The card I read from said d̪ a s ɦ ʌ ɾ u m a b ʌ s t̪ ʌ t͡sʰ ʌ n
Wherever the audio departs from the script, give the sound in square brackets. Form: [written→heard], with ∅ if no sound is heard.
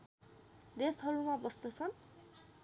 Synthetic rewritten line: d̪ [a→e] s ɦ ʌ ɾ u m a b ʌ s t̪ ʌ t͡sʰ ʌ n

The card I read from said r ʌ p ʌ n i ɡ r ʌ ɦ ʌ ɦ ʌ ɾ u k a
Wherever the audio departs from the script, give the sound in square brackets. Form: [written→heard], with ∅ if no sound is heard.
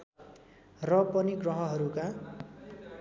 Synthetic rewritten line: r ʌ p ʌ n i ɡ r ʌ ɦ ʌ ɦ ʌ ɾ u k a

